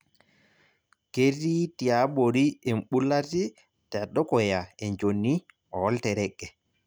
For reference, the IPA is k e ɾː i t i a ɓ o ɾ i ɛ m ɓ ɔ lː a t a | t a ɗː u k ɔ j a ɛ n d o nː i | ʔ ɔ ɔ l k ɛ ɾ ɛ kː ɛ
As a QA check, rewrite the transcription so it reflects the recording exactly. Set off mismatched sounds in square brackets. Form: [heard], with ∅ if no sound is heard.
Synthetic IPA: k e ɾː i t i a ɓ o ɾ i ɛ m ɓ [u] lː a t [i] | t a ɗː [ɔ] k ɔ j a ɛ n [d͡ʒ] o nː i | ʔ ɔ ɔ l [t] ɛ ɾ ɛ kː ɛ